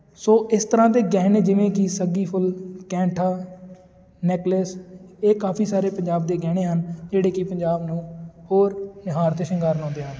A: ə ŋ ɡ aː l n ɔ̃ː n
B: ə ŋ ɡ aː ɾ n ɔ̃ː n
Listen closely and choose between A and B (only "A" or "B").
B